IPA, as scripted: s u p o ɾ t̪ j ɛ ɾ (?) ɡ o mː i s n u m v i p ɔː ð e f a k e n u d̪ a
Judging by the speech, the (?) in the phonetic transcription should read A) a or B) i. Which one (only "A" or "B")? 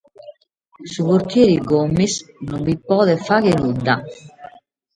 B